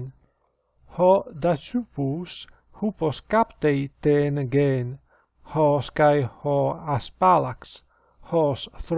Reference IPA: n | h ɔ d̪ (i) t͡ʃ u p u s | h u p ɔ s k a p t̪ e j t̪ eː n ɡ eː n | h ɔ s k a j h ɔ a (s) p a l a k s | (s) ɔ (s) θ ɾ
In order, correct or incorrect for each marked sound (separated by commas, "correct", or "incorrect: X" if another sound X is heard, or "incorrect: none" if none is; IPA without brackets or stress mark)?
incorrect: a, correct, incorrect: h, correct